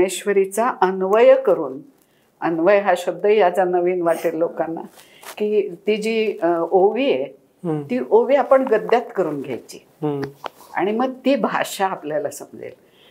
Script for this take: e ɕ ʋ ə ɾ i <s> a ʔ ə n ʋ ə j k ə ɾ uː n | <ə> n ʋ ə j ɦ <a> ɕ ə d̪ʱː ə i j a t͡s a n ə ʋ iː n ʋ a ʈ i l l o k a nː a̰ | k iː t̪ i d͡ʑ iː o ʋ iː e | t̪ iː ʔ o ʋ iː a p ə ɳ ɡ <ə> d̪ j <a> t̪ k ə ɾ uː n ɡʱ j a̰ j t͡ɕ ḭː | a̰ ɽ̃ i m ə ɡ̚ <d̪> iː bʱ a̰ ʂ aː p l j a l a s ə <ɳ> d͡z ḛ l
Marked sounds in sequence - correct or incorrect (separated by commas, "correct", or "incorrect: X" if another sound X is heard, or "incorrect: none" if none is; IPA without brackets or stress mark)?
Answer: incorrect: t͡s, correct, correct, correct, correct, incorrect: t̪, incorrect: m